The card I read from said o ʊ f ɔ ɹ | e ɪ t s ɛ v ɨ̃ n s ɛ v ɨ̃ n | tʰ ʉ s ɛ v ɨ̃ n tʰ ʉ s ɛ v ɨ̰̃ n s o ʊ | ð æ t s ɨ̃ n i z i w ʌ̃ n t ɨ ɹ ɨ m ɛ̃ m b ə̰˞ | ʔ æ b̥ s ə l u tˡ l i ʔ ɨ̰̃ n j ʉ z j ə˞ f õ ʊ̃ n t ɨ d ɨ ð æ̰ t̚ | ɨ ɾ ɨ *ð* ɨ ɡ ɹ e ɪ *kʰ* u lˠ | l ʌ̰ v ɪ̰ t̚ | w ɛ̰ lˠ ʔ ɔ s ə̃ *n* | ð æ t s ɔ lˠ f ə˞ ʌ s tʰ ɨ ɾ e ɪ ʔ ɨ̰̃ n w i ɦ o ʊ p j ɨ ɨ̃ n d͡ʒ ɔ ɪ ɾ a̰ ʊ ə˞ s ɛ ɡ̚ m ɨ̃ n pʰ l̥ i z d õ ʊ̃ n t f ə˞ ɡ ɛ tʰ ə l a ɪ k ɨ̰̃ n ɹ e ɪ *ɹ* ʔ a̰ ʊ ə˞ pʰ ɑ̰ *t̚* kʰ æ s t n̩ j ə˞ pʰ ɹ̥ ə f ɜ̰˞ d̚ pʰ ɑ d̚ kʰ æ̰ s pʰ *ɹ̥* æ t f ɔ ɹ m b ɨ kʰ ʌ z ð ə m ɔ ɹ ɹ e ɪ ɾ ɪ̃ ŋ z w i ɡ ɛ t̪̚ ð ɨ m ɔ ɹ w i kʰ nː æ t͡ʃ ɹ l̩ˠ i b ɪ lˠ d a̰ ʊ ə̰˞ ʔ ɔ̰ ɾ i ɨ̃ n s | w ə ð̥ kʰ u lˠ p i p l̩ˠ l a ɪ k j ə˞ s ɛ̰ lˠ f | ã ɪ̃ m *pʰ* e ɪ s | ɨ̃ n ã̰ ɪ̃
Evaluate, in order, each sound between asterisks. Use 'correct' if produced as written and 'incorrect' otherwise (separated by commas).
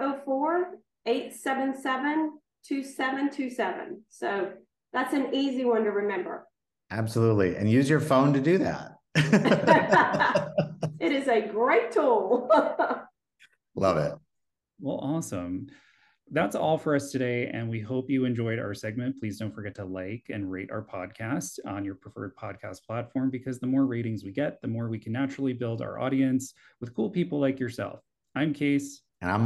incorrect, incorrect, incorrect, incorrect, incorrect, incorrect, incorrect